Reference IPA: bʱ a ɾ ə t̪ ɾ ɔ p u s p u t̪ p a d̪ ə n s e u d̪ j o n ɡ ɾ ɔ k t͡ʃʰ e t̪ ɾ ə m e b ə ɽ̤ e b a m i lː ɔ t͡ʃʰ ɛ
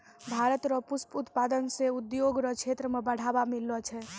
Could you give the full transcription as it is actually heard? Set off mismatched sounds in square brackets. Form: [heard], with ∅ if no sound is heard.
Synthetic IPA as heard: bʱ a ɾ ə t̪ ɾ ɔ p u s p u t̪ p a d̪ ə n s e u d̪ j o [∅] ɡ ɾ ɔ k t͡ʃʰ e t̪ ɾ ə m e b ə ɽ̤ [a] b a m i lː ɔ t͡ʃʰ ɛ